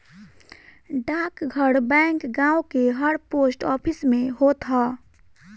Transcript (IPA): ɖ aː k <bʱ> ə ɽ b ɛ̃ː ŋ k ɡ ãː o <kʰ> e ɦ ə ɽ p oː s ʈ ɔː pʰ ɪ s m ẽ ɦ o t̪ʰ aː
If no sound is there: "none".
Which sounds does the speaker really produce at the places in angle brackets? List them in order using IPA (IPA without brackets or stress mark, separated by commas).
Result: ɡʱ, k